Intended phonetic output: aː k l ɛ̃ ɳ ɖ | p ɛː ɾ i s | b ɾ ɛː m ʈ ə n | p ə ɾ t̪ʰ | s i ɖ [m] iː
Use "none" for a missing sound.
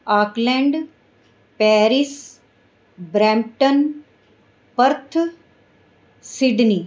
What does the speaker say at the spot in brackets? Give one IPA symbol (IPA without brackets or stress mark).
n